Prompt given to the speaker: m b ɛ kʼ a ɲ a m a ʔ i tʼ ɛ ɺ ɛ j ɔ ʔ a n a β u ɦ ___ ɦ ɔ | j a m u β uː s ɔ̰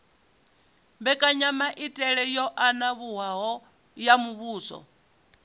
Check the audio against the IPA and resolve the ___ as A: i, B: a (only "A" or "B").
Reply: B